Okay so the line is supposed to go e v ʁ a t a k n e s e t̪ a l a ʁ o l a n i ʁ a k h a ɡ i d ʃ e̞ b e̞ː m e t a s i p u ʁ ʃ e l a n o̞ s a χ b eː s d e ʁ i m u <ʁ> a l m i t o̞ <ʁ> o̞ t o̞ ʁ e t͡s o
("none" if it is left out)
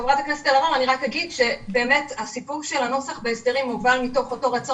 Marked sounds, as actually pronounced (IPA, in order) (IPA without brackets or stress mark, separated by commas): v, χ